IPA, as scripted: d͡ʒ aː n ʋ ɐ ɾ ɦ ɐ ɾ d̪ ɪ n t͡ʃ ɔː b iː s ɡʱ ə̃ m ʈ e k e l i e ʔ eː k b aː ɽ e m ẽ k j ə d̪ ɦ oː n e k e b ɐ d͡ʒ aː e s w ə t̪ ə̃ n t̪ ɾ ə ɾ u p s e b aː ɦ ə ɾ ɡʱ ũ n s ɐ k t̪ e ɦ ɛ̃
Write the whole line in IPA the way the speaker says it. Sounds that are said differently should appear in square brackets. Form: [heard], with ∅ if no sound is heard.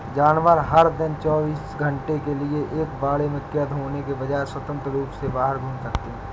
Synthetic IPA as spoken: d͡ʒ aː n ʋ [ə] ɾ ɦ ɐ ɾ d̪ ɪ n t͡ʃ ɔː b iː s ɡʱ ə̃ [ɳ] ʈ e k e l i e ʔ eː k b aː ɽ e m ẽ k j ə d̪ ɦ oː n e k e b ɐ d͡ʒ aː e s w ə t̪ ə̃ n t̪ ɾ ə ɾ [uː] p s e b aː ɦ ə ɾ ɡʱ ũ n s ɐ k t̪ e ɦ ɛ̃